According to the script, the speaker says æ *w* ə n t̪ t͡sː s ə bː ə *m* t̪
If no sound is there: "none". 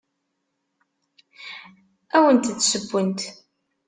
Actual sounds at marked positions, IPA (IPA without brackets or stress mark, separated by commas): w, n